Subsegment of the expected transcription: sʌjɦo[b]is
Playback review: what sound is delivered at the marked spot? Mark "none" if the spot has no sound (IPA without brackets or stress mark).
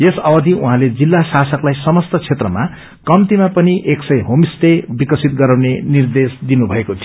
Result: m